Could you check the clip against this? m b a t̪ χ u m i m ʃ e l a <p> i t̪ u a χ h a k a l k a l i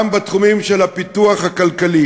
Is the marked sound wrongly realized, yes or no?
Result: no